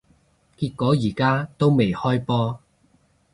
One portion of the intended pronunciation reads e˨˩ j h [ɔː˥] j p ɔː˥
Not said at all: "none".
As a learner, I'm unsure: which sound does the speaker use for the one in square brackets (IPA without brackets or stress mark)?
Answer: ɔː˥